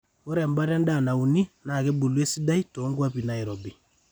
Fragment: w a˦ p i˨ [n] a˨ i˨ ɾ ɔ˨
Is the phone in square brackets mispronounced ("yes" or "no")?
no